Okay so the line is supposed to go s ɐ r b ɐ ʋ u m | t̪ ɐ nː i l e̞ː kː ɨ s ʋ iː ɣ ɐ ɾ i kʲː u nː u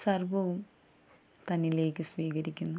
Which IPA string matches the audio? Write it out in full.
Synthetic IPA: s ɐ r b ɐ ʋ u m | t̪ ɐ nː i l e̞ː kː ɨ s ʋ iː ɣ ɐ ɾ i kʲː u nː u